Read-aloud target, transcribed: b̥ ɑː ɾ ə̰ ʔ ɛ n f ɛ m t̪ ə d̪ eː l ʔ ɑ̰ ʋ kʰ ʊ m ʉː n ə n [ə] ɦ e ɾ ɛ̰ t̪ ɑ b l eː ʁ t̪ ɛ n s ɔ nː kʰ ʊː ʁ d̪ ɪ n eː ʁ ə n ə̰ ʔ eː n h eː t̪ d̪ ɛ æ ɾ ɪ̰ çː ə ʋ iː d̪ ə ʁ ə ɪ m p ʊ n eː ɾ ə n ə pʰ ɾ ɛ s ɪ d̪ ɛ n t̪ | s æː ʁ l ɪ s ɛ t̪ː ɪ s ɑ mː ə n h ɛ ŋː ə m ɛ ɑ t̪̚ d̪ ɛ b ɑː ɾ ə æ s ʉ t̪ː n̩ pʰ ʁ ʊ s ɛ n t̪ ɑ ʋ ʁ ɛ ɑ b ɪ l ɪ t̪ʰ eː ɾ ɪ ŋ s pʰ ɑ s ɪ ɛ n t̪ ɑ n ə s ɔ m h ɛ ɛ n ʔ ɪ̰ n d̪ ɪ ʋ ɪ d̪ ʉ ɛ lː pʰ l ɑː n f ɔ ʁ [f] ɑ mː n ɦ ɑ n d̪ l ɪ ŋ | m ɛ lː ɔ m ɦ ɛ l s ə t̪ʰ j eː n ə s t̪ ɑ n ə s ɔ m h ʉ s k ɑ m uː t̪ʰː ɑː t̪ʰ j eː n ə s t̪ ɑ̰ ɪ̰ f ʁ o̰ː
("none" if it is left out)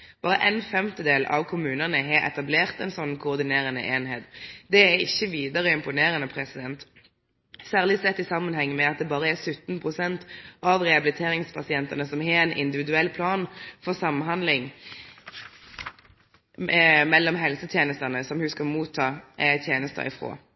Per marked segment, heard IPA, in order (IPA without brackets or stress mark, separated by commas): ə, s